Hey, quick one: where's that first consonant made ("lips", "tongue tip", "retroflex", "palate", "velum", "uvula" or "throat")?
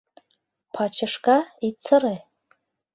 lips